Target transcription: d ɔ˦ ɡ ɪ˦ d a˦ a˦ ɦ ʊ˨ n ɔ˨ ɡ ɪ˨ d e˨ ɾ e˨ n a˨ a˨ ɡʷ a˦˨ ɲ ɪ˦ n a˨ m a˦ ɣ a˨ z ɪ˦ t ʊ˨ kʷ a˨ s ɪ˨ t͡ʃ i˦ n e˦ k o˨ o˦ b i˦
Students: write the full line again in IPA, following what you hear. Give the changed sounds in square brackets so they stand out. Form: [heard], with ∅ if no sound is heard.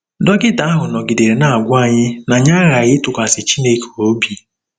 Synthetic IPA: d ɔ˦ ɡ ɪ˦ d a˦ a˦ ɦ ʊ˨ n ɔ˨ ɡ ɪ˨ d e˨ ɾ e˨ n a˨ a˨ ɡʷ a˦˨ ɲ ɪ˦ n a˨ [ɲ] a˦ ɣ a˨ [ɣ] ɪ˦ t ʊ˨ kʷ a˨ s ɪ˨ t͡ʃ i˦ n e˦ k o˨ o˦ b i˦